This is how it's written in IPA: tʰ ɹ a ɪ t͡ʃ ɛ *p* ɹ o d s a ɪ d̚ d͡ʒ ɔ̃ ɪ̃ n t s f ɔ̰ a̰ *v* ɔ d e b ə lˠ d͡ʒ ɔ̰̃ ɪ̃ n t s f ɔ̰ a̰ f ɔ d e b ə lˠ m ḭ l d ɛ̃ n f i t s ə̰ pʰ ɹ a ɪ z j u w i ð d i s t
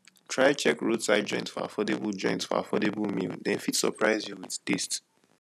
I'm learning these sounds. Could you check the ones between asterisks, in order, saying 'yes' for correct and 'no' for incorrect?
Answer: no, no

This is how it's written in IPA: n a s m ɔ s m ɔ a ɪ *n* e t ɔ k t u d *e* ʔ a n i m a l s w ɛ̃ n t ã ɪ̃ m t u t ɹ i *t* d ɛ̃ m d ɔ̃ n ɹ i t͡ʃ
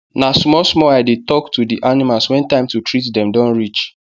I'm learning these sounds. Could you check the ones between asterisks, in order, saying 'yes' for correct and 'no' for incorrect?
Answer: no, no, yes

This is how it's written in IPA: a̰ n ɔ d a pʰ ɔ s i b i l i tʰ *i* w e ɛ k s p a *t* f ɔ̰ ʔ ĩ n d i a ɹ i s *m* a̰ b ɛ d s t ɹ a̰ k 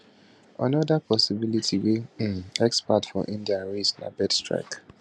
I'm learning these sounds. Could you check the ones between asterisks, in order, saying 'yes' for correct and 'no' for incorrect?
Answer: yes, yes, no

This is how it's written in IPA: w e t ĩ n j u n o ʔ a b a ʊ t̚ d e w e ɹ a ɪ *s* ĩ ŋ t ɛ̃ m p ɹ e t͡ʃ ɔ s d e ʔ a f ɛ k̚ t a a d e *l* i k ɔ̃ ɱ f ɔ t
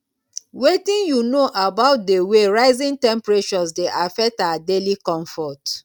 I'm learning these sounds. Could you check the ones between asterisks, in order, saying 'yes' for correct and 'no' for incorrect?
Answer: no, yes

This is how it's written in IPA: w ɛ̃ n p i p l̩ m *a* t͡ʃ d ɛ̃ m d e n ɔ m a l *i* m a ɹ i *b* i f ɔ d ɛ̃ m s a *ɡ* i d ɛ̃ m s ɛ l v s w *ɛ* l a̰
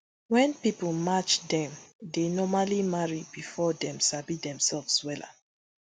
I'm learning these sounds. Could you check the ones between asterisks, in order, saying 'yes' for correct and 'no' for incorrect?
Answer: yes, yes, yes, no, yes

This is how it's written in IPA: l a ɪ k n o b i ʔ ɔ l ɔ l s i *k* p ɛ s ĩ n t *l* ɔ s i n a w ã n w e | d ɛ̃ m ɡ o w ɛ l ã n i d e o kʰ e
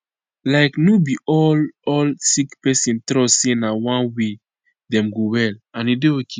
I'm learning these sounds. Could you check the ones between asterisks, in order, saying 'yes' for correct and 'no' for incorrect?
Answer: yes, no

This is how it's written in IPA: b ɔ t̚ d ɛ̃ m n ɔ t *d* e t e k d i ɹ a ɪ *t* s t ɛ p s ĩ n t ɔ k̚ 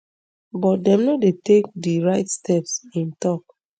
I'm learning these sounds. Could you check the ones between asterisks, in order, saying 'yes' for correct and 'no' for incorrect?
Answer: yes, yes

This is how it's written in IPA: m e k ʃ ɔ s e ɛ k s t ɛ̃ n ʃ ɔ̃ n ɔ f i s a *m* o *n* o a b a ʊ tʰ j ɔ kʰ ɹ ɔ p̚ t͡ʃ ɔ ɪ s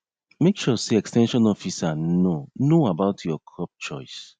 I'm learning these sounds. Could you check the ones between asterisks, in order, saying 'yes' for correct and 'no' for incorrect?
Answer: no, yes

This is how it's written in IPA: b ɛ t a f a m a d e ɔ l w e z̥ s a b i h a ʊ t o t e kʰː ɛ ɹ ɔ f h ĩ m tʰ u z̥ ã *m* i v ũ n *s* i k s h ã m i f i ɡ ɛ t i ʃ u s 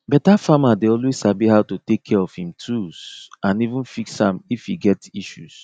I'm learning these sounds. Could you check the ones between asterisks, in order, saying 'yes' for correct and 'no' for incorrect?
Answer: no, no

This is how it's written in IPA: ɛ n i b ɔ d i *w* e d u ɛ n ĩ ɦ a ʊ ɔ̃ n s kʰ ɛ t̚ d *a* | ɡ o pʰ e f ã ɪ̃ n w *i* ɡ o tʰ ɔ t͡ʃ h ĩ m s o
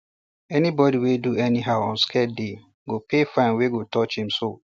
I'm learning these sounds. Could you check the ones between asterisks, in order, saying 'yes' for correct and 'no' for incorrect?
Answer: yes, no, no

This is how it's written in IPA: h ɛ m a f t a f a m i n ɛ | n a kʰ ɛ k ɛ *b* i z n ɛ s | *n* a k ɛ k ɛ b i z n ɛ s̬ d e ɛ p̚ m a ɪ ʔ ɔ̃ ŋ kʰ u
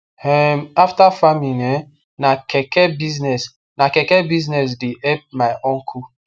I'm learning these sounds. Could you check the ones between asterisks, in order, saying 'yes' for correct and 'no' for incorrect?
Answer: yes, yes

